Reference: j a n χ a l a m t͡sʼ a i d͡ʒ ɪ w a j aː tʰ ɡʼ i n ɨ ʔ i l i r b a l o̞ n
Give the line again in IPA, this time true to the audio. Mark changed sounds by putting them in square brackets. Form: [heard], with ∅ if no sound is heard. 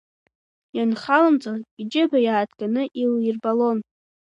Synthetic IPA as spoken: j a n χ a l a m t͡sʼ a i d͡ʒ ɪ [b] a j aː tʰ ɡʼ [a] n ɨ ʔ i l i r b a l o̞ n